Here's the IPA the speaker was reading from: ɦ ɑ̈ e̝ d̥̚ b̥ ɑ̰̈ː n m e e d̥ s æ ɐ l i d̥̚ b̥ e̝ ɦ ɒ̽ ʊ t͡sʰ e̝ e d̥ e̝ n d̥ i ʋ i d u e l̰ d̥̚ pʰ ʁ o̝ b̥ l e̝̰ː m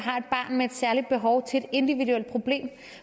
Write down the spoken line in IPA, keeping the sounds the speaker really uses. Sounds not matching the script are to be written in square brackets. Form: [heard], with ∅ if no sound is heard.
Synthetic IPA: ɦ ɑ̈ e̝ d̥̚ b̥ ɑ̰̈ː n m e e d̥ s æ ɐ l i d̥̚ b̥ e̝ ɦ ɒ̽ ʊ t͡sʰ e̝ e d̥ e̝ n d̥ i ʋ i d u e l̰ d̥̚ pʰ ʁ o̝ b̥ l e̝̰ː m